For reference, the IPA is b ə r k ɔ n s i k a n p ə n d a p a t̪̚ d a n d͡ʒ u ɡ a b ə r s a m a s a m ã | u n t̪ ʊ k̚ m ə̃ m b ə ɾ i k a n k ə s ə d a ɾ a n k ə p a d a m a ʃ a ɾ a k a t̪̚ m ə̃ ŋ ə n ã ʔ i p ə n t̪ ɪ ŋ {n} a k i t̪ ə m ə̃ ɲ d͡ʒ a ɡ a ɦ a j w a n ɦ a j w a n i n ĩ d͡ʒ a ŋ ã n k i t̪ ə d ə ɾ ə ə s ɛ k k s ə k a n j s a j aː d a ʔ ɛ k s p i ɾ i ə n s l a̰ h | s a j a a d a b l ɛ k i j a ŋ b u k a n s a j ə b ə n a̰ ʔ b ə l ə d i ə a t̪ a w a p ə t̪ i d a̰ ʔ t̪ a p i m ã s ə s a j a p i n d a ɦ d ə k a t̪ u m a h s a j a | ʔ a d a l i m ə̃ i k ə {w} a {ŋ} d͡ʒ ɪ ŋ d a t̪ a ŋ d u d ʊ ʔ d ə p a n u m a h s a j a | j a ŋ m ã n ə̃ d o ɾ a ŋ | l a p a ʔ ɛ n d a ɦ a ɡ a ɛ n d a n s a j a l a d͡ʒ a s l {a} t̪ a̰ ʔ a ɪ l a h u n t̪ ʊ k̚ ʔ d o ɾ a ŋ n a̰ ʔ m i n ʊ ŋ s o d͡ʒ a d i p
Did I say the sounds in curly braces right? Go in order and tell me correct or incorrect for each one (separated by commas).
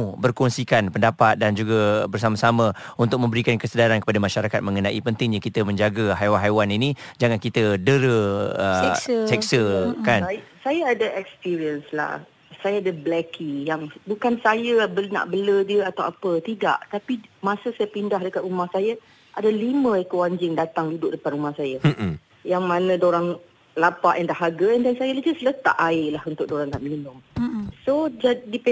incorrect, correct, incorrect, incorrect